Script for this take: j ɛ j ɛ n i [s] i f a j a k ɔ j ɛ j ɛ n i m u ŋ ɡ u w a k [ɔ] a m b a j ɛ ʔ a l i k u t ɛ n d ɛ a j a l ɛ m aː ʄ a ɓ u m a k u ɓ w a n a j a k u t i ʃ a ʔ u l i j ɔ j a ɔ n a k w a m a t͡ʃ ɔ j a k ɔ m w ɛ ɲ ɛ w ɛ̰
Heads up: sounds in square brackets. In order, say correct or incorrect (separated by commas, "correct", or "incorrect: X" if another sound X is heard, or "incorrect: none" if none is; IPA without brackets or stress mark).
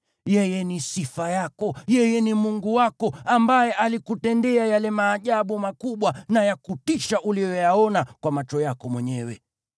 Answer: correct, correct